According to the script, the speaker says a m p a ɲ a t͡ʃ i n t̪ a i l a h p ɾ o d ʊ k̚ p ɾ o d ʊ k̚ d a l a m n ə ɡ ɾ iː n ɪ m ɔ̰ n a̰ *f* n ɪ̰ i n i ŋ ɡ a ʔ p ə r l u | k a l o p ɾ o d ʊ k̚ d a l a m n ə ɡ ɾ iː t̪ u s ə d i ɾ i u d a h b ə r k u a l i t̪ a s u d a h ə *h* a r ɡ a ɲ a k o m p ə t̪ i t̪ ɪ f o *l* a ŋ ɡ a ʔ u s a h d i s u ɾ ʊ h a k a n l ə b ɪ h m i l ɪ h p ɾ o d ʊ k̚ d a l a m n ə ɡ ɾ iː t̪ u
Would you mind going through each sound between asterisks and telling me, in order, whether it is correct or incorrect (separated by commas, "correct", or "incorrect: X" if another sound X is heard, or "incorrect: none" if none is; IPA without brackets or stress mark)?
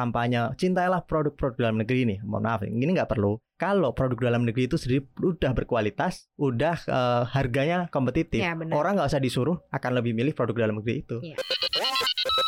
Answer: correct, correct, incorrect: ɾ